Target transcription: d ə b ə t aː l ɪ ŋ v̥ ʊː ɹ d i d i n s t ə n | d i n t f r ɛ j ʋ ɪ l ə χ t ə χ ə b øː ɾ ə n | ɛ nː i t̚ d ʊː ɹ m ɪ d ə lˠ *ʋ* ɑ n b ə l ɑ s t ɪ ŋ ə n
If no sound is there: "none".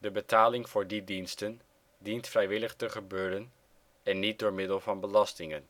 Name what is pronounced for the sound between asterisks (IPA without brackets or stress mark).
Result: v